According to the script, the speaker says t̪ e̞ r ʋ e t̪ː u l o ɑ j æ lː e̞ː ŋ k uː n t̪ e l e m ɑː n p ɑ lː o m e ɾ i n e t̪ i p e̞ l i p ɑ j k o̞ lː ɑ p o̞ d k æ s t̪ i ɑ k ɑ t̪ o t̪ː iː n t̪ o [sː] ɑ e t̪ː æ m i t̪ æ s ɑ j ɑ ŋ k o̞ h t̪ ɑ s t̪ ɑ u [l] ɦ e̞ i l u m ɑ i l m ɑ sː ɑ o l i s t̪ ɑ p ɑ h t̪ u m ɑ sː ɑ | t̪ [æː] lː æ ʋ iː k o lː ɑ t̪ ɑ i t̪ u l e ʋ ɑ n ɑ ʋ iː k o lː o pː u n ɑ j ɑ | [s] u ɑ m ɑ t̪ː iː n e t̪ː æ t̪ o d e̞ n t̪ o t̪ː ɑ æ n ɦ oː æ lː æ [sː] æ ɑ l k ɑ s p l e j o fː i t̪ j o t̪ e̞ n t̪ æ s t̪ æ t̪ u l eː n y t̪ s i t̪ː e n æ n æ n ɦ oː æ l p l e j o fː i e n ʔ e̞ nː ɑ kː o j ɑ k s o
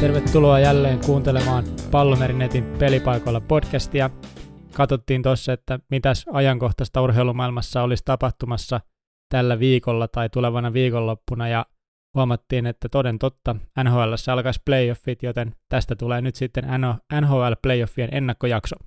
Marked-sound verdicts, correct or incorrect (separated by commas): correct, incorrect, incorrect, incorrect, correct